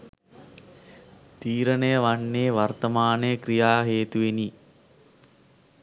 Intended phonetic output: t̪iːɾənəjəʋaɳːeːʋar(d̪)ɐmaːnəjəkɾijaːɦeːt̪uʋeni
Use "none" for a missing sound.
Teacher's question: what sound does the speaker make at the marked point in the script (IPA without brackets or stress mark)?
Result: t̪